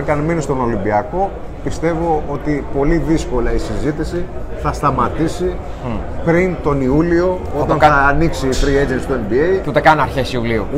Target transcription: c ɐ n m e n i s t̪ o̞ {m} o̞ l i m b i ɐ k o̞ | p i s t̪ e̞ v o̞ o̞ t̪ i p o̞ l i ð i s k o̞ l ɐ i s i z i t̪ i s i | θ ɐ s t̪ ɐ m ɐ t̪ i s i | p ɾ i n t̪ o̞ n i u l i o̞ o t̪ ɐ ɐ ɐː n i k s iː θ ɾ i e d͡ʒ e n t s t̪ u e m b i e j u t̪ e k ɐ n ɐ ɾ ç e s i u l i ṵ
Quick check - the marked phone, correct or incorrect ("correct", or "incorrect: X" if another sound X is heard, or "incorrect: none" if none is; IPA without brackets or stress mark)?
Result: incorrect: n